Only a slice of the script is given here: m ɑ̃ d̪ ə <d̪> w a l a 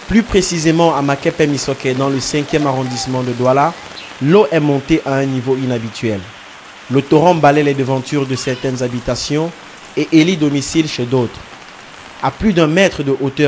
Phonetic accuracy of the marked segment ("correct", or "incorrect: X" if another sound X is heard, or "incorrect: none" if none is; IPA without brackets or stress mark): correct